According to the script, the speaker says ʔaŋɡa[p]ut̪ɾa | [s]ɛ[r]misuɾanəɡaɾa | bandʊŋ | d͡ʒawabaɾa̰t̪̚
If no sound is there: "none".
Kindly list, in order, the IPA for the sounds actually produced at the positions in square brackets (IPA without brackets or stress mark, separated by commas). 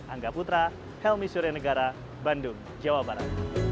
p, h, l